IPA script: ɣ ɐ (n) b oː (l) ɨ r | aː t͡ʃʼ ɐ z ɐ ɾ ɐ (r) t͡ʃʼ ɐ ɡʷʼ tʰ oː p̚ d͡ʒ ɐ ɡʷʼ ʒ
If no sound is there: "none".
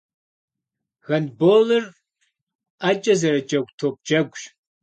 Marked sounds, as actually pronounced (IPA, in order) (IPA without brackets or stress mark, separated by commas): n, l, none